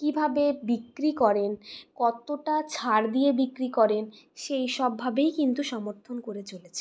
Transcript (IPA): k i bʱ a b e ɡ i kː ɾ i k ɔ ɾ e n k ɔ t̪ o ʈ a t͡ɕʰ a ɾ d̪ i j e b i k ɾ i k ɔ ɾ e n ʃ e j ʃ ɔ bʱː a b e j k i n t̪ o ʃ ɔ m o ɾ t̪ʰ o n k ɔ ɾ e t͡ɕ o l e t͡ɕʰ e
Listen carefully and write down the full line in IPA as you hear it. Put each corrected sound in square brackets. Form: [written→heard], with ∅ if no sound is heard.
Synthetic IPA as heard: k i bʱ a b e [ɡ→b] i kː ɾ i k ɔ ɾ e n k ɔ t̪ o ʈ a t͡ɕʰ a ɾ d̪ i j e b i k ɾ i k ɔ ɾ e n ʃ e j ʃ ɔ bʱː a b e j k i n t̪ [o→u] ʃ ɔ m o ɾ t̪ʰ o n k [ɔ→o] ɾ e t͡ɕ o l e t͡ɕʰ e